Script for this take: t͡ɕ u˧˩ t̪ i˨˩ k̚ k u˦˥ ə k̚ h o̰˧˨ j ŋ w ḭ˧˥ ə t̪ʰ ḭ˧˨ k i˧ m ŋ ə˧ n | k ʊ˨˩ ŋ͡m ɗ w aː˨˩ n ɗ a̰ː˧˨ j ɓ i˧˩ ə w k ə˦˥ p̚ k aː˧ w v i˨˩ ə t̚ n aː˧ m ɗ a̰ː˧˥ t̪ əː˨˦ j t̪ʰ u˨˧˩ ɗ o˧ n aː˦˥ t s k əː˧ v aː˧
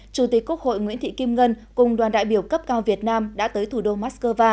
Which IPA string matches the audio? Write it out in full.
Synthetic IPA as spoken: t͡ɕ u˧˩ t̪ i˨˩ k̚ k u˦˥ ə k̚ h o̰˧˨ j ŋ w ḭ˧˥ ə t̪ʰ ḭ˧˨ k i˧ m ŋ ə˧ n | k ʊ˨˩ ŋ͡m ɗ w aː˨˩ n ɗ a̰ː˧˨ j ɓ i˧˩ ə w k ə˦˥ p̚ k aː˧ w v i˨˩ ə t̚ n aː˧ m ɗ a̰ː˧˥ t̪ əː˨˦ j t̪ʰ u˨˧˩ ɗ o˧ m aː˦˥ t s k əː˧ v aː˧